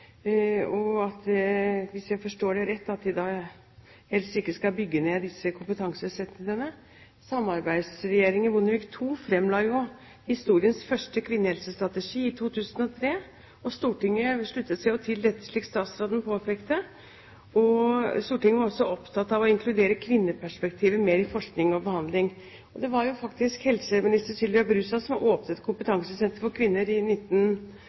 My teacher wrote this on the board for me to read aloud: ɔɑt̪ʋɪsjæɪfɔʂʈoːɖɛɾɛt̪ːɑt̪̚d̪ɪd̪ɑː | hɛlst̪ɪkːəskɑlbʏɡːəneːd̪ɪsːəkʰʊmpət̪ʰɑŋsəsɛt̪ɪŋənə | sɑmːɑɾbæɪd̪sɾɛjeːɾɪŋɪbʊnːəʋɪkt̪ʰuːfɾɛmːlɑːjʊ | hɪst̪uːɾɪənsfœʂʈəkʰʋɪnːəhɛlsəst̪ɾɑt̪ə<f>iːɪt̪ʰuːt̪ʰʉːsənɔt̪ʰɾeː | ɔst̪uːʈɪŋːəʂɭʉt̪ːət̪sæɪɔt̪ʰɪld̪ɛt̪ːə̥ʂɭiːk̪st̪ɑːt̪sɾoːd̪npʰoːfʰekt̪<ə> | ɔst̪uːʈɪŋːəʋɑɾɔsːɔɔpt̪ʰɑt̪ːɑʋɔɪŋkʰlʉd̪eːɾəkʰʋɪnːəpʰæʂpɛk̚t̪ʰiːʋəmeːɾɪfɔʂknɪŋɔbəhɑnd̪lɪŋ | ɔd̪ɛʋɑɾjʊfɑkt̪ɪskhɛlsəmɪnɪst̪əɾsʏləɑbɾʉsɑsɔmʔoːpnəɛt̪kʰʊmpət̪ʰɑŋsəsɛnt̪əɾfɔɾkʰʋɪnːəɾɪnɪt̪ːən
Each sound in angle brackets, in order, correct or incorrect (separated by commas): incorrect, correct